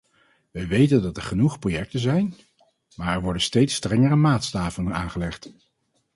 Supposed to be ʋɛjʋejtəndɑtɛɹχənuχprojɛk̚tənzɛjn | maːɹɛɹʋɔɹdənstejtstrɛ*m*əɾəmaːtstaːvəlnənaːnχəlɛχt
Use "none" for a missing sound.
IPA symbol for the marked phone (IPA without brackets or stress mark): ŋ